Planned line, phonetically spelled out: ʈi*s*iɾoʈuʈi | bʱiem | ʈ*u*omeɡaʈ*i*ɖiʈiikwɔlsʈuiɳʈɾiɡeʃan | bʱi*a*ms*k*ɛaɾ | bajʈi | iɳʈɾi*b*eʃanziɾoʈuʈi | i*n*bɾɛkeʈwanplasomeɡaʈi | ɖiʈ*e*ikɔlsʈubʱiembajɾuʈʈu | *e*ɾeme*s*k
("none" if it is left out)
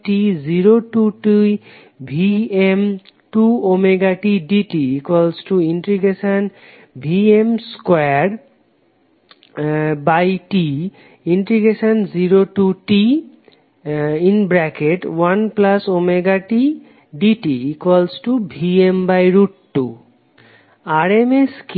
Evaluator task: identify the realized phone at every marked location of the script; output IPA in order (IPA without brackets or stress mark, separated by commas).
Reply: z, u, i, e, k, ɡ, n, i, a, s